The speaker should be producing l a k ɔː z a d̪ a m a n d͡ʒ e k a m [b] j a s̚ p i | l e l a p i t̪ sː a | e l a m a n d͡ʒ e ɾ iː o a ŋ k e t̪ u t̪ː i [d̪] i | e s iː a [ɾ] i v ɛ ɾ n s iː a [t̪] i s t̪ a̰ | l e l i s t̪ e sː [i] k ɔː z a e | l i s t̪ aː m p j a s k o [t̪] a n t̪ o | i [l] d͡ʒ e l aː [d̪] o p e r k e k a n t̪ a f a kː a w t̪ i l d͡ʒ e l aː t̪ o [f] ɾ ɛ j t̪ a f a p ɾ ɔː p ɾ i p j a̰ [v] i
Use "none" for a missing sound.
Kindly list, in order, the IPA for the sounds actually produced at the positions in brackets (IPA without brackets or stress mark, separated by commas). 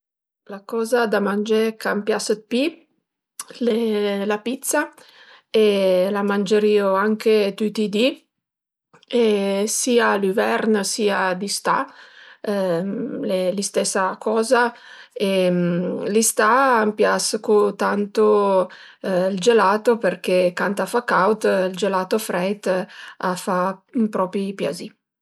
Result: p, d̪, l, d̪, a, t̪, l, t̪, f, z